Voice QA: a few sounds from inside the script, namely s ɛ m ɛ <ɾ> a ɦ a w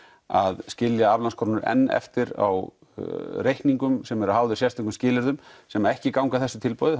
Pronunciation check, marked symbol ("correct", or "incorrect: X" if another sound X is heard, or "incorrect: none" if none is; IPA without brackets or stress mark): correct